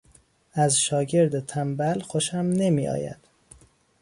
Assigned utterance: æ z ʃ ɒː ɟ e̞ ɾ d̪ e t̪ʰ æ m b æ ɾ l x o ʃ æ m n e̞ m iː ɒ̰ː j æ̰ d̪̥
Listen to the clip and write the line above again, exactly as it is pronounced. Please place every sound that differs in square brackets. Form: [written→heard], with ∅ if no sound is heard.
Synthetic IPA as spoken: æ z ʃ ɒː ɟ e̞ ɾ d̪ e t̪ʰ æ m b æ [ɾ→∅] l x o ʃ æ m n e̞ m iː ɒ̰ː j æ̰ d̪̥